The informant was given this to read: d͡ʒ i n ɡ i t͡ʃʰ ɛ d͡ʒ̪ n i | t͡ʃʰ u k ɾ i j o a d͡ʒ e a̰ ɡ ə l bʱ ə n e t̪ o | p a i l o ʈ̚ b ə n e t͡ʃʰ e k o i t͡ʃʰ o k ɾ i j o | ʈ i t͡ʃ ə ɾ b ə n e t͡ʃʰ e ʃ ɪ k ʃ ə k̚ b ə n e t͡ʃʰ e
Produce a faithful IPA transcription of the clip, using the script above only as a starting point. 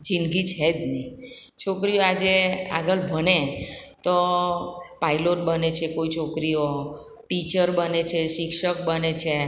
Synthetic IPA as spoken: d͡ʒ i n ɡ i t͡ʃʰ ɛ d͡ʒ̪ n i | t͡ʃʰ o k ɾ i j o a d͡ʒ e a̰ ɡ ə l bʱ ə n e t̪ o | p a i l o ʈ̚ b ə n e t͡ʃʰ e k o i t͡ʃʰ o k ɾ i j o | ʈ i t͡ʃ ə ɾ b ə n e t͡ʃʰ e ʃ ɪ k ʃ ə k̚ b ə n e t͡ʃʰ e